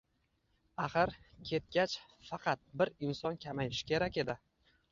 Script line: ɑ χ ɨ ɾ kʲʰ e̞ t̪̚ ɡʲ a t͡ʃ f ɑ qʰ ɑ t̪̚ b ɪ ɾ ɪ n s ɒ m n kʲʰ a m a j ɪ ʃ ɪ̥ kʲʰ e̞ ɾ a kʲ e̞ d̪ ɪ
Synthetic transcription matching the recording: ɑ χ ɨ ɾ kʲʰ e̞ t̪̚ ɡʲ a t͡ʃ f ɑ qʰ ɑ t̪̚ b ɪ ɾ ɪ n s ɒ n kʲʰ a m a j ɪ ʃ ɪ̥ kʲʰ e̞ ɾ a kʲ e̞ d̪ ɪ